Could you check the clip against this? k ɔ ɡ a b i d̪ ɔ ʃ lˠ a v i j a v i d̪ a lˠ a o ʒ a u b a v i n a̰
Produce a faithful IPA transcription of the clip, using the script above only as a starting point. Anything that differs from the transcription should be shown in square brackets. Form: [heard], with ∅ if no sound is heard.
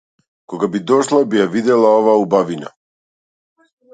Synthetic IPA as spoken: k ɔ ɡ a b i d̪ ɔ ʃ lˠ a [b] i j a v i d̪ [ɛ] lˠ a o [v] a u b a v i n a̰

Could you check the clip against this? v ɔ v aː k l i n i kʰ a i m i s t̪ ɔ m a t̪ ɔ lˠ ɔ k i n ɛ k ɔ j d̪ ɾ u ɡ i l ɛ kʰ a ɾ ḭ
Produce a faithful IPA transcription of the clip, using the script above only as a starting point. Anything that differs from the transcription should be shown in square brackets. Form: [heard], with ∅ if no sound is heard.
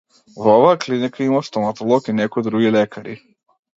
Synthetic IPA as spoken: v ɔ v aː k l i n i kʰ a i m [a] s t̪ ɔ m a t̪ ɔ lˠ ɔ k i n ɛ k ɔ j d̪ ɾ u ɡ i l ɛ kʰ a ɾ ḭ

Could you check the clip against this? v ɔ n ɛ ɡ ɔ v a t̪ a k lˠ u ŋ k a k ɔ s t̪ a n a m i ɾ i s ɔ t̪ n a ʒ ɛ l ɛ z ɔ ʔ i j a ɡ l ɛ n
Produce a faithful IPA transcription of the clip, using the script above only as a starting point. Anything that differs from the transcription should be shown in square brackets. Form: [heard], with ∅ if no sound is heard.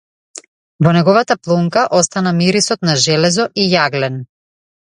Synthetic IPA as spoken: v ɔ n ɛ ɡ ɔ v a t̪ a [p] lˠ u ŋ k a [ʔ] ɔ s t̪ a n a m i ɾ i s ɔ t̪ n a ʒ ɛ l ɛ z ɔ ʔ i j a ɡ l ɛ n

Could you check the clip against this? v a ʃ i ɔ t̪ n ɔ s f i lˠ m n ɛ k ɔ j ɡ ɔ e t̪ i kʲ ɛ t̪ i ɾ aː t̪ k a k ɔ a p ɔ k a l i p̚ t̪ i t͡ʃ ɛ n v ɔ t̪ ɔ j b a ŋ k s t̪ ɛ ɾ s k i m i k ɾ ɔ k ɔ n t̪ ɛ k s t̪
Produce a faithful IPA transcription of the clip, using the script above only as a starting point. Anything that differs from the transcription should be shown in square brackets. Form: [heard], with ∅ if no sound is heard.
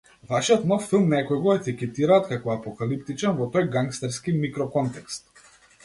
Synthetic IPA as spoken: v a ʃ i ɔ t̪ n ɔ [f] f i lˠ m n ɛ k ɔ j ɡ ɔ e t̪ i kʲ ɛ t̪ i ɾ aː t̪ k a k ɔ a p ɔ k a l i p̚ t̪ i t͡ʃ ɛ n v ɔ t̪ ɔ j [ɡ] a ŋ k s t̪ ɛ ɾ s k i m i k ɾ ɔ k ɔ n t̪ ɛ k s t̪

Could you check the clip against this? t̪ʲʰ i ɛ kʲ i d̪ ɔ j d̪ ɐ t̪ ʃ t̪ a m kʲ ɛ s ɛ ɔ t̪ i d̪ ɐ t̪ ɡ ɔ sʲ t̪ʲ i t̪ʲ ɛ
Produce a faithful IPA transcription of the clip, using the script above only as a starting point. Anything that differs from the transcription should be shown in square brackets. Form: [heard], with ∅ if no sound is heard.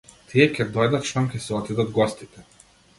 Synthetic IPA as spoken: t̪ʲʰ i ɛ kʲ [ɛ] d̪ ɔ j d̪ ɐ t̪ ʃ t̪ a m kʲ ɛ s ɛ ɔ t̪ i d̪ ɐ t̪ ɡ ɔ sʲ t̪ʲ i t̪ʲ ɛ

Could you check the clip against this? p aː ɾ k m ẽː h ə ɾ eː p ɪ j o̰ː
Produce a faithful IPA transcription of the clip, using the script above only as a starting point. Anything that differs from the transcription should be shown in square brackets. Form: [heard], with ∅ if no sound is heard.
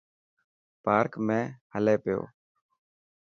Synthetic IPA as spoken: p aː ɾ k m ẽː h ə [l] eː p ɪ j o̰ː

